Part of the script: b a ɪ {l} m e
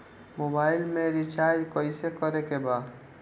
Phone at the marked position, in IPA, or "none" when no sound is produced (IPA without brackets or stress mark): l